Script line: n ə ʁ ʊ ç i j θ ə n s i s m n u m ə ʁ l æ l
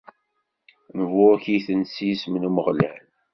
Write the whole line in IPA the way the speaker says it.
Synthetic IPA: n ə v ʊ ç i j θ ə n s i s m n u m ə ʁ l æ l